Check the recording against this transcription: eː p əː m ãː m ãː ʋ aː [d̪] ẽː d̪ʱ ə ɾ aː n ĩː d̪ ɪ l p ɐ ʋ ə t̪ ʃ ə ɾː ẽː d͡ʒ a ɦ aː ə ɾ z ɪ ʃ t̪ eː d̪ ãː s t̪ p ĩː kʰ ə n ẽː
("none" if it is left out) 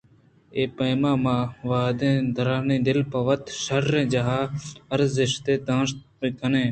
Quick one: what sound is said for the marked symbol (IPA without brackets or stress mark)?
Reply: d̪